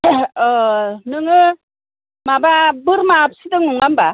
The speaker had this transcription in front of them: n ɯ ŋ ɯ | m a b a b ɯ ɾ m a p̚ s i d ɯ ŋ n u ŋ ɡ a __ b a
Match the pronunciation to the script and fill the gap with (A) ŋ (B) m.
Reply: B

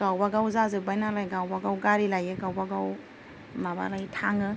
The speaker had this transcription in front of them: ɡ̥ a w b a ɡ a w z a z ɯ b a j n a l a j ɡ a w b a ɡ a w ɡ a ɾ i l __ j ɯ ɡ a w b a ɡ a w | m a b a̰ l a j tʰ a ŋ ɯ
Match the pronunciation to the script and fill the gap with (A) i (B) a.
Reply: B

